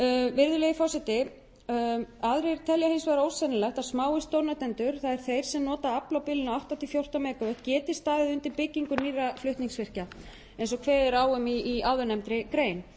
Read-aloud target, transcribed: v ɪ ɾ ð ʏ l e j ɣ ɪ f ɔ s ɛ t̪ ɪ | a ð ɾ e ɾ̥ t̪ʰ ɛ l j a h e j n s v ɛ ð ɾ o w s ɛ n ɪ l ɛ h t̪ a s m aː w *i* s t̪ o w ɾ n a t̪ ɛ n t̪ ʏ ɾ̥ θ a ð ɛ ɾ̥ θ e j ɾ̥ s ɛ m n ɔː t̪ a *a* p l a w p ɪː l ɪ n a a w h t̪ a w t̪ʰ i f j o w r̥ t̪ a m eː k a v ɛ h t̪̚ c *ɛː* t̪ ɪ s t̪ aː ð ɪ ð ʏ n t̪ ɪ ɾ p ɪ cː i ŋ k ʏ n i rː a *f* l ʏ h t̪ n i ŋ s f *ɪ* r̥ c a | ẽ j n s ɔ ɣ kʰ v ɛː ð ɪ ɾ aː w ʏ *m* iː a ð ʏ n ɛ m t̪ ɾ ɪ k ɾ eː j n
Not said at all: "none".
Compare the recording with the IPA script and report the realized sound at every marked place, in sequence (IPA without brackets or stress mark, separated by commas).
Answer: ɪ, a, ɛː, f, ɪ, m